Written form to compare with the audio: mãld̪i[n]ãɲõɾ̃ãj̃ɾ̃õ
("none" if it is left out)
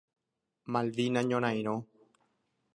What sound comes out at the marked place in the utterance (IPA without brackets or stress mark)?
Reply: n